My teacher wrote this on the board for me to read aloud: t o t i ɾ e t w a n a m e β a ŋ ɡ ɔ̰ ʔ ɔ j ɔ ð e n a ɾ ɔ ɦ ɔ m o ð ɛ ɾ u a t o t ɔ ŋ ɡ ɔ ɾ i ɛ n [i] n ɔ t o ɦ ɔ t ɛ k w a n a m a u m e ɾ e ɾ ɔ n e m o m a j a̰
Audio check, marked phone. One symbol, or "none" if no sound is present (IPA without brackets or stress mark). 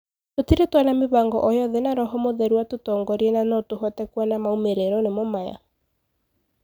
a